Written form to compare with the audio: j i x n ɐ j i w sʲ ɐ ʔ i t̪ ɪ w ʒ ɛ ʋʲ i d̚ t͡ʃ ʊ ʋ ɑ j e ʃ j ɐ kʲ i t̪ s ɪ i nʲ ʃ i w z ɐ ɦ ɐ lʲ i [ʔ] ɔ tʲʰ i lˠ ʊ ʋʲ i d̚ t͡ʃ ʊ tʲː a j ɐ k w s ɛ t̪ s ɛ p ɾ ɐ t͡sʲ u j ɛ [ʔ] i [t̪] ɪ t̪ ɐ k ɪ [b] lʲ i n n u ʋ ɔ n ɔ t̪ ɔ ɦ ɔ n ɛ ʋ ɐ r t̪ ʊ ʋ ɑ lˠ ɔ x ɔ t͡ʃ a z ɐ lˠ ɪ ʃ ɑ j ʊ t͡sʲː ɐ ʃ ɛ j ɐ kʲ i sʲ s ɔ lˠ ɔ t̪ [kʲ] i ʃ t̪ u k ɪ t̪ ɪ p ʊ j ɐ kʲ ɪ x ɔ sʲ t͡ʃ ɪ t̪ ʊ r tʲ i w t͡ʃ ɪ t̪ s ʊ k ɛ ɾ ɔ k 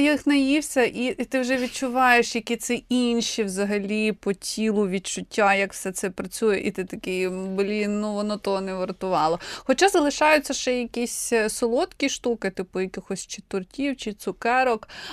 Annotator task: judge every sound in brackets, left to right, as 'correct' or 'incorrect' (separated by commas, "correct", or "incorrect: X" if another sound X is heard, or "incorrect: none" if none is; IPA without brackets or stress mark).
incorrect: p, correct, correct, correct, correct